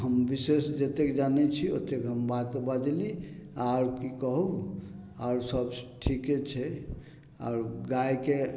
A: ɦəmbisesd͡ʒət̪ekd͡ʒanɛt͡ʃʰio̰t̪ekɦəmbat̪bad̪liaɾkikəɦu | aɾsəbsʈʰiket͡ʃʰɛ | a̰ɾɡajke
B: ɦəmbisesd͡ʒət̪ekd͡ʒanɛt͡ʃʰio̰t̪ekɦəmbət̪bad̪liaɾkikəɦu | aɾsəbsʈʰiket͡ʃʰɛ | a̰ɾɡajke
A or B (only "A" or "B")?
A